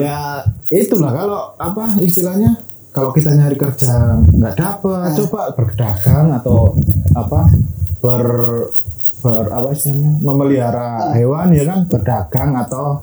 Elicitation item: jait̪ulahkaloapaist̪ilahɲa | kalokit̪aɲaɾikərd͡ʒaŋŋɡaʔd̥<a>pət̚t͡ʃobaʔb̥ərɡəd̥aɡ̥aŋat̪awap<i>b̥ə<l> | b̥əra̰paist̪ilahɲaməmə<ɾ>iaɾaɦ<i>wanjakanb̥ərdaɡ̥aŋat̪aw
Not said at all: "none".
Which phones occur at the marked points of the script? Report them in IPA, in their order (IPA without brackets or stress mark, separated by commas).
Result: a, a, r, l, e